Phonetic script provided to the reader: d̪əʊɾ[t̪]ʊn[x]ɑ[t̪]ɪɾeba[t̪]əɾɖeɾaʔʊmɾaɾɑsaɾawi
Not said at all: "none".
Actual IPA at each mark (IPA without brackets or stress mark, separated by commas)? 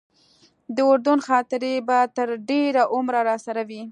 d̪, x, t̪, t̪